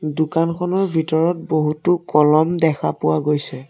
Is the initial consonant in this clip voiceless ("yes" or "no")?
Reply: no